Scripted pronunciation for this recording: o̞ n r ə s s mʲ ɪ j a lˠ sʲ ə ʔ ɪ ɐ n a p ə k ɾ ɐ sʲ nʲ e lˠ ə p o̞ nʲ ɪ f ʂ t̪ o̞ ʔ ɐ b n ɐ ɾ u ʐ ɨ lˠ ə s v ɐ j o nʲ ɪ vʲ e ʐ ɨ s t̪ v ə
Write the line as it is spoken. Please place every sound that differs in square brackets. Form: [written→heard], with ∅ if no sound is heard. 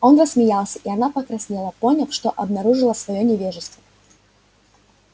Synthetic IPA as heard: o̞ n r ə s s mʲ ɪ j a lˠ sʲ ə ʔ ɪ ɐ n a p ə k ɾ ɐ sʲ nʲ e lˠ ə p o̞ nʲ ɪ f ʂ t̪ o̞ ʔ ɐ b n ɐ ɾ u ʐ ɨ lˠ ə s v ɐ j o nʲ ɪ vʲ e ʐ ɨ s t̪ v ə